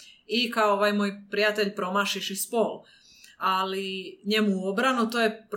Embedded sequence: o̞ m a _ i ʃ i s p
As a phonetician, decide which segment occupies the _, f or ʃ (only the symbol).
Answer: ʃ